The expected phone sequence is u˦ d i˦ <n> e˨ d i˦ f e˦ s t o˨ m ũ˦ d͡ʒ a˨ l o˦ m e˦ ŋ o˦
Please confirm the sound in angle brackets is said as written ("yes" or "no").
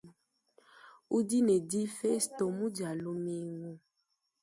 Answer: yes